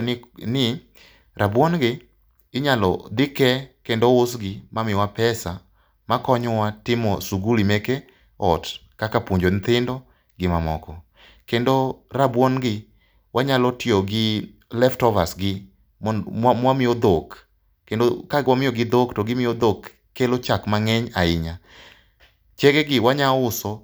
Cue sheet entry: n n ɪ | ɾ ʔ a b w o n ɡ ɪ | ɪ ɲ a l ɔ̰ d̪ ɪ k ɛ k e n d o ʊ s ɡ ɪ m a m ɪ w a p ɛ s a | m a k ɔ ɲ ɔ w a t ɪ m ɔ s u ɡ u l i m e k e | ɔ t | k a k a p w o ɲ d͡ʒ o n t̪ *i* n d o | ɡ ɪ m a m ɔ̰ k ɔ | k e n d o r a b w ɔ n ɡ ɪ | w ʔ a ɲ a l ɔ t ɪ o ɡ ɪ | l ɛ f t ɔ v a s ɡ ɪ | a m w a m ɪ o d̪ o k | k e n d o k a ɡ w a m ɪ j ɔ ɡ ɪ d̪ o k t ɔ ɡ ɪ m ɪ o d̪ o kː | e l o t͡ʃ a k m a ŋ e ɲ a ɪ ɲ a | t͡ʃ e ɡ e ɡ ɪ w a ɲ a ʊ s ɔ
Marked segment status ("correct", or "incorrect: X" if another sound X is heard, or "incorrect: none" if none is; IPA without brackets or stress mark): incorrect: ɪ